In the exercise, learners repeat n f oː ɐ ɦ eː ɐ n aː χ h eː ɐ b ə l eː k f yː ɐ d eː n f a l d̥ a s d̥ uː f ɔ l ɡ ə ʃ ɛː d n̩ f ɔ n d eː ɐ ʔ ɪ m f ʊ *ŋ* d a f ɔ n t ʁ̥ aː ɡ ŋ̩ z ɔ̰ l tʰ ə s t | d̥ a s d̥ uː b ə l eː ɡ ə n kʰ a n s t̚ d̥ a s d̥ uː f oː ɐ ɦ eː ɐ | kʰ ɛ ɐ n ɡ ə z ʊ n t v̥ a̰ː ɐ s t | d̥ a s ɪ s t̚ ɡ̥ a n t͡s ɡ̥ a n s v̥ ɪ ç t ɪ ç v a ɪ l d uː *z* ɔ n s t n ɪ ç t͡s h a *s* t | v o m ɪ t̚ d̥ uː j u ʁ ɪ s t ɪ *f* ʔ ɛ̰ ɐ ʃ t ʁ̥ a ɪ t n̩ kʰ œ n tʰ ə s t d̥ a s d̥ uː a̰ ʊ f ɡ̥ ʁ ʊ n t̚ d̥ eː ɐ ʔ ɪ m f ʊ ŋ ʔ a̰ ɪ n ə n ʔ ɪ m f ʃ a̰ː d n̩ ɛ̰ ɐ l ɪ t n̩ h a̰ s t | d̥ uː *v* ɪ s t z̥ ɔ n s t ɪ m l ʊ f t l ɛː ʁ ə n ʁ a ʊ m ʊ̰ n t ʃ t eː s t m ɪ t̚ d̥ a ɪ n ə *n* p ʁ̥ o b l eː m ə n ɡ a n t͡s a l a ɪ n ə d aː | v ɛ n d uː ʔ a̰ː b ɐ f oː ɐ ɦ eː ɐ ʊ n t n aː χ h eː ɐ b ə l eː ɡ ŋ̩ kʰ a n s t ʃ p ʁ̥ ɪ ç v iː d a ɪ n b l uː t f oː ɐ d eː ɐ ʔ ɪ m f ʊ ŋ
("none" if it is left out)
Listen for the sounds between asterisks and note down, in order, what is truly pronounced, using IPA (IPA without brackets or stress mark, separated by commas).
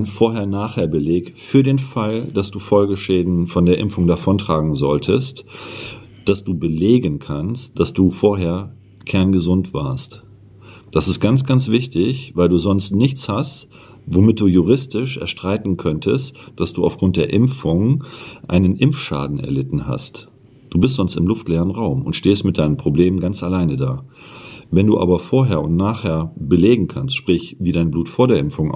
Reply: ŋ, z, s, ʃ, b, m